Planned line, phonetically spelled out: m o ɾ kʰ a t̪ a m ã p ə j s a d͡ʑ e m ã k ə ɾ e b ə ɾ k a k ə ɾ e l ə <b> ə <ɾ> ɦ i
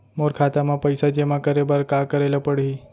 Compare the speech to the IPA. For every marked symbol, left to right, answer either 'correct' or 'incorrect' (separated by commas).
incorrect, incorrect